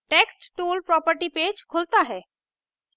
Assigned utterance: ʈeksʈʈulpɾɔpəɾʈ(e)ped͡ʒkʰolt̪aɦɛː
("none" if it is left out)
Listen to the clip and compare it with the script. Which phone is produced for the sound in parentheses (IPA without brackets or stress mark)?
i